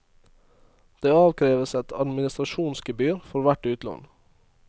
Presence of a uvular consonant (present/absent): absent